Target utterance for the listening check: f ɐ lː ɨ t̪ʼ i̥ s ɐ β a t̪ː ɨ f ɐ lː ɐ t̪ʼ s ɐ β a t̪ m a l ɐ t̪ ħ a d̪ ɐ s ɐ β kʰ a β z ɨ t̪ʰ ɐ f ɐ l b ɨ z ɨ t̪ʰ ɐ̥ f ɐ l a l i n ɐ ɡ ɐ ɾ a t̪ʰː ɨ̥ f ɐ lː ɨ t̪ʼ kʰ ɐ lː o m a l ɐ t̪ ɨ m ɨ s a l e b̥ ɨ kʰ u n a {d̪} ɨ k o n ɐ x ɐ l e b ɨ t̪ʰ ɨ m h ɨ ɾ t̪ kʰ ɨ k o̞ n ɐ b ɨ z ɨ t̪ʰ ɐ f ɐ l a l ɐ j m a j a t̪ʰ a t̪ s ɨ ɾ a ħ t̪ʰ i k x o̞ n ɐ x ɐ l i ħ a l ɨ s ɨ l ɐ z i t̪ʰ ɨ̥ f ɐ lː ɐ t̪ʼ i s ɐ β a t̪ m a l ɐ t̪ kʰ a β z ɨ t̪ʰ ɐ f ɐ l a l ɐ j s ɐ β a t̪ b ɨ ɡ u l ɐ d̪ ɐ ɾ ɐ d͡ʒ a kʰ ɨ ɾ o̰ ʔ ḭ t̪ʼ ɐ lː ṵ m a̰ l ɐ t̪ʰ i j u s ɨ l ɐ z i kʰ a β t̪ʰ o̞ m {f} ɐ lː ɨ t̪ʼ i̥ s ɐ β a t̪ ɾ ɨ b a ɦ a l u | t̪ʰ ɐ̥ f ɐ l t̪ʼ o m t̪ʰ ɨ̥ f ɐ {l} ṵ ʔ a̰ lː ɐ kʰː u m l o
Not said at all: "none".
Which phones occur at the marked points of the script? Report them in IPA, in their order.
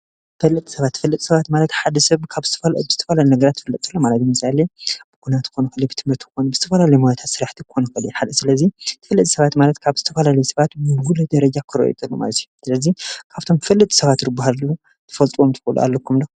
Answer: t̪, f, l

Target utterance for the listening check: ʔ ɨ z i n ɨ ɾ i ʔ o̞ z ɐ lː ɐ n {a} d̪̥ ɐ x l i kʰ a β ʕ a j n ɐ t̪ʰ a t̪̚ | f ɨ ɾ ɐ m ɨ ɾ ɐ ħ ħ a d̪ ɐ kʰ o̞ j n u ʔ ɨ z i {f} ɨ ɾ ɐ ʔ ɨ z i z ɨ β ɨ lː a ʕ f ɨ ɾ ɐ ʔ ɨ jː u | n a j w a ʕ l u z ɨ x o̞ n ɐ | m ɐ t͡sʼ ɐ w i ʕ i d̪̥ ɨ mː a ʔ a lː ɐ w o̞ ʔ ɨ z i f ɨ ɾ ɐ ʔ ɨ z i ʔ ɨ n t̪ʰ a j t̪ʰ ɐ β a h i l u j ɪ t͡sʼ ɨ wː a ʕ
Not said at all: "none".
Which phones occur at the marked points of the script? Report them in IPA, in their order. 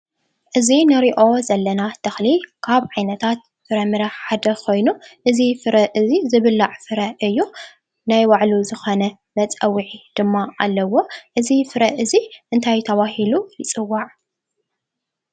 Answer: a, f

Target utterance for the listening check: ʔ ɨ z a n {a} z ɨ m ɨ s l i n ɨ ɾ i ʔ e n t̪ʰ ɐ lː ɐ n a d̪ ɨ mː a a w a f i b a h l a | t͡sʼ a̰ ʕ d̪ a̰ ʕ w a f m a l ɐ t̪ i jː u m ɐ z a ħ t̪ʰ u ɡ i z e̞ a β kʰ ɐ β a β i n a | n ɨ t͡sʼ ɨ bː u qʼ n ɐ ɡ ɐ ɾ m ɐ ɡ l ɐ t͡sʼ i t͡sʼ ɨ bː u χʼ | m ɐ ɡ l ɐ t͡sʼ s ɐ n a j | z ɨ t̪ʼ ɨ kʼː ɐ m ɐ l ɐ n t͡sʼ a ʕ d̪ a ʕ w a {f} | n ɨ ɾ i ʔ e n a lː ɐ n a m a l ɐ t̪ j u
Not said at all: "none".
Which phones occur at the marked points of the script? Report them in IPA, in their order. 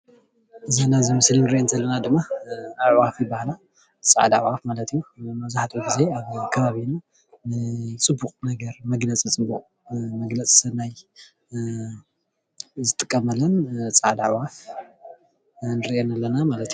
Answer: a, f

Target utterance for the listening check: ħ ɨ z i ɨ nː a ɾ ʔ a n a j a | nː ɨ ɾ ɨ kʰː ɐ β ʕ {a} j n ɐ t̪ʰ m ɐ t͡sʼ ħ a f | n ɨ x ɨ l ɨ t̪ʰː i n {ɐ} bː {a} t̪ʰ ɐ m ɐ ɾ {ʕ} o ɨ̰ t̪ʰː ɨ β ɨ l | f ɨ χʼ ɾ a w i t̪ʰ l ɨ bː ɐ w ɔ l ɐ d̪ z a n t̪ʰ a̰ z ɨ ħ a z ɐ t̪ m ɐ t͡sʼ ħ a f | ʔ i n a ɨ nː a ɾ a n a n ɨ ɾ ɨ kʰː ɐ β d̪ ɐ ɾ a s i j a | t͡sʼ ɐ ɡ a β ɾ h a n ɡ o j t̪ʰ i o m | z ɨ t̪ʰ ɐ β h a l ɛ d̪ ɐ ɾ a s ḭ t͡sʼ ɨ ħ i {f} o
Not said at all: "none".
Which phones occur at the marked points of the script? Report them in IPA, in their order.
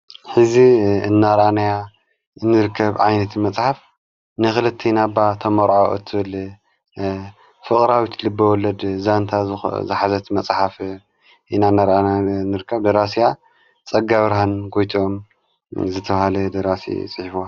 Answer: a, a, a, ʕ, f

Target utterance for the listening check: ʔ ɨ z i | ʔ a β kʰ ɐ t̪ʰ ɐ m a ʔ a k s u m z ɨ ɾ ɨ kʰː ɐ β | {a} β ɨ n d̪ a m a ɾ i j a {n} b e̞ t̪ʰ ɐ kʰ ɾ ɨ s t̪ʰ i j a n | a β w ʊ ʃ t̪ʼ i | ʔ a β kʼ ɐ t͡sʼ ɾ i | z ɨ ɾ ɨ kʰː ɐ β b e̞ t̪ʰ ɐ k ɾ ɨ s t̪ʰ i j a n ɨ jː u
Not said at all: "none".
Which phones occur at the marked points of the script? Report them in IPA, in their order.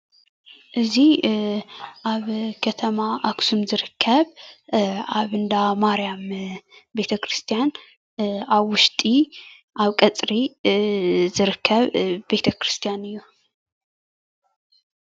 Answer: a, m

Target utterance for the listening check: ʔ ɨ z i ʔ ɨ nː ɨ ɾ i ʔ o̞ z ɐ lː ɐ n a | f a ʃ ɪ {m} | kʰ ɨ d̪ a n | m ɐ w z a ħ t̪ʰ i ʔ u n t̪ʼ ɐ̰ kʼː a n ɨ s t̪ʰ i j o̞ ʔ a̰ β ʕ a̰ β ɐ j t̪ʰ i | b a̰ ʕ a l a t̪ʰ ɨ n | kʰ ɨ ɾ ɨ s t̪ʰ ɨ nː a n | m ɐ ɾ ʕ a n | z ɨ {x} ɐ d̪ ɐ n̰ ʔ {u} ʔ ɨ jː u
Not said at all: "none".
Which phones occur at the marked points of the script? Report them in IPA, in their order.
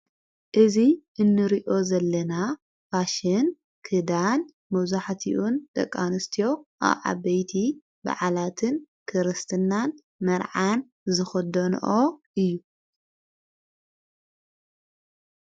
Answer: n, x, o

